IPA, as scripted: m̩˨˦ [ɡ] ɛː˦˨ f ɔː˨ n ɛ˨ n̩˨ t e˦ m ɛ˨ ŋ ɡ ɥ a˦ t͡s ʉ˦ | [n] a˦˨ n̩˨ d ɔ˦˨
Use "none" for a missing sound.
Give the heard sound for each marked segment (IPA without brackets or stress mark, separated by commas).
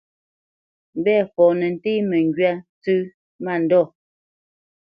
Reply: b, m